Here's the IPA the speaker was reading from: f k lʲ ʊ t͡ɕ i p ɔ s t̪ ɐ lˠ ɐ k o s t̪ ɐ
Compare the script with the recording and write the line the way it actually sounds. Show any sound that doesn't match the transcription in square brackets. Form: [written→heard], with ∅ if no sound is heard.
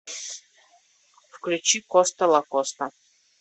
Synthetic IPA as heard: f k lʲ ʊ t͡ɕ i [p→k] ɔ s t̪ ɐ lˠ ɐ k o s t̪ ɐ